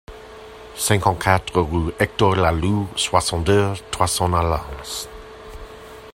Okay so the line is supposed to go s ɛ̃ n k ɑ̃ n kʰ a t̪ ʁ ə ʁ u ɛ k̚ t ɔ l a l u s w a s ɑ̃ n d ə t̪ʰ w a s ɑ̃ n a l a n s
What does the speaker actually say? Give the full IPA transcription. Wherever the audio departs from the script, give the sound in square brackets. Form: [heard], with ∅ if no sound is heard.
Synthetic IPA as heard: s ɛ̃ [ŋ] k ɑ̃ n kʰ a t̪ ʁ ə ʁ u ɛ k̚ t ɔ l a l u s w a s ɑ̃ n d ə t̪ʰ w a s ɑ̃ n a l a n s